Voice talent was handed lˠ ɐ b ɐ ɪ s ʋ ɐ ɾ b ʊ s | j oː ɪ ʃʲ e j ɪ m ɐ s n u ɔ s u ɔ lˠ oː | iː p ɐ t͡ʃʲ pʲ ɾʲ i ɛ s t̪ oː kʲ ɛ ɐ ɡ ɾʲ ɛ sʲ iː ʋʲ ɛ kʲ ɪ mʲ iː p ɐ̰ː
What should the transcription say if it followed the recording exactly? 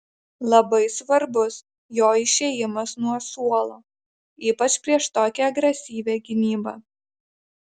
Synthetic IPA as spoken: lˠ ɐ b ɐ ɪ s ʋ ɐ ɾ b ʊ s | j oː ɪ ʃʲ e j ɪ m ɐ s n u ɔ s u ɔ lˠ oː | iː p ɐ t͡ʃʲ pʲ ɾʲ i ɛ ʃ t̪ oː kʲ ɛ ɐ ɡ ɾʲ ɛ sʲ iː ʋʲ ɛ ɡʲ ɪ nʲ iː b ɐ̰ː